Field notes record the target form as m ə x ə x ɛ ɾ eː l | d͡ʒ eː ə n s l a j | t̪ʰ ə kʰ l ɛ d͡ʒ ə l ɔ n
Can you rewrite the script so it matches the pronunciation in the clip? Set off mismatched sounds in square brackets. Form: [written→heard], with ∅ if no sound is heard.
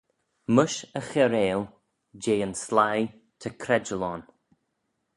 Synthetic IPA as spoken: m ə [x→ʃ] ə x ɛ ɾ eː l | d͡ʒ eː ə n s l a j | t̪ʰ ə kʰ [l→ɾ] ɛ d͡ʒ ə l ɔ n